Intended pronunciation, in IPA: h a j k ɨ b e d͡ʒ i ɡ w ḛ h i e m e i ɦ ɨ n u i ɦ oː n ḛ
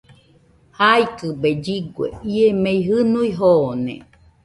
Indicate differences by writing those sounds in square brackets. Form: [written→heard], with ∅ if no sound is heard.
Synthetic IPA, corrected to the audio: h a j k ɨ b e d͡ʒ i ɡ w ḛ [h→∅] i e m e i ɦ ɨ n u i ɦ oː n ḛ

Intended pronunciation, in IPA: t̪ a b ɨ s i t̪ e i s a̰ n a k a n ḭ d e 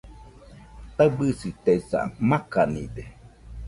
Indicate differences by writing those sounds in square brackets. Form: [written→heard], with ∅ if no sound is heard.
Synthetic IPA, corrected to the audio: t̪ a b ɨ s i t̪ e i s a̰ [n→m] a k a n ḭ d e

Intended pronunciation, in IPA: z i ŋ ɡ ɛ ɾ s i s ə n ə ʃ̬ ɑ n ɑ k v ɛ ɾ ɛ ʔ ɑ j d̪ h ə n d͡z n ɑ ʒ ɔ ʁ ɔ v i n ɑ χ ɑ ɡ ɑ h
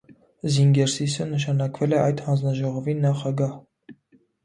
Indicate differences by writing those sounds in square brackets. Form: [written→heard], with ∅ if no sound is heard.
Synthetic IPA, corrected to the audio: z i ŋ ɡ ɛ ɾ s i s ə n ə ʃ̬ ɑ n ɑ k v ɛ [ɾ→l] ɛ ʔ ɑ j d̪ h [ə→ɑ] n d͡z n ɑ ʒ ɔ ʁ ɔ v i n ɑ χ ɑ ɡ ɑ h

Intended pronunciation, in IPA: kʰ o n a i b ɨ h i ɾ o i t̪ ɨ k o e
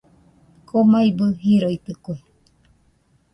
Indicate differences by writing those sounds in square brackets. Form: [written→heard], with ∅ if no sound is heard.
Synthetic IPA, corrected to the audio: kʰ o [n→m] a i b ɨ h i ɾ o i t̪ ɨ k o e

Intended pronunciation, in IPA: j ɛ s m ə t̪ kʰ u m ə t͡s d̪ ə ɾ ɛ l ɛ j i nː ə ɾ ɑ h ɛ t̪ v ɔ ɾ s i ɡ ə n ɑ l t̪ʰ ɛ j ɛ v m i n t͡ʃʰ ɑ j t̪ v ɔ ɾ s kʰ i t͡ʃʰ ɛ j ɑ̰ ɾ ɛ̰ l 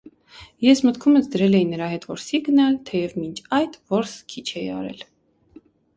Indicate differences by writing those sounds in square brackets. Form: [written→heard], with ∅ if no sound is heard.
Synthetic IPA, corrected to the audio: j ɛ s m ə t̪ kʰ u m ə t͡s d̪ ə ɾ ɛ l ɛ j i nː ə ɾ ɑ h ɛ t̪ v ɔ ɾ s i ɡ ə n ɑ l t̪ʰ ɛ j ɛ v m i n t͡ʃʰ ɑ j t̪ v ɔ ɾ s kʰ i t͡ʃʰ ɛ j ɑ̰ ɾ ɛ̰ l

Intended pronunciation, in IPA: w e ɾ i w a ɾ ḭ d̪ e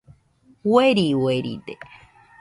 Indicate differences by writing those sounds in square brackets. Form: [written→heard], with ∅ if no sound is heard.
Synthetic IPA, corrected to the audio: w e ɾ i w [a→e] ɾ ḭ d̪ e

